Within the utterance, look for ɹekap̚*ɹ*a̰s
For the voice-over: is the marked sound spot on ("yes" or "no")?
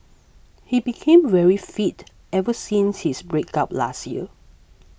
no